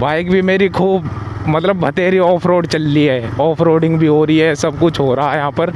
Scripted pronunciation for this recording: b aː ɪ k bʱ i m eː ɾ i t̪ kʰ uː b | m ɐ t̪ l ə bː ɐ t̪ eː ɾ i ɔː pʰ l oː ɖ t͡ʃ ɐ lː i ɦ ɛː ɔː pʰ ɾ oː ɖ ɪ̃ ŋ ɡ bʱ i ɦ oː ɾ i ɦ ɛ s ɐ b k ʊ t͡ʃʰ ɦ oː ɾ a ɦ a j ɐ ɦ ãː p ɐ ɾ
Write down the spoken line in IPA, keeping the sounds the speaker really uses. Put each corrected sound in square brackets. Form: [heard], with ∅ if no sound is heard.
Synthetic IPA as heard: b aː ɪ k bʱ i m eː ɾ i [∅] kʰ uː b | m ɐ t̪ l ə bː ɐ t̪ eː ɾ i ɔː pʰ [ɾ] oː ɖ t͡ʃ ɐ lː i ɦ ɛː ɔː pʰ ɾ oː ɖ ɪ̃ ŋ ɡ bʱ i ɦ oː ɾ i ɦ ɛ s ɐ b k ʊ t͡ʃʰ ɦ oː ɾ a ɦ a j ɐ ɦ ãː p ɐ ɾ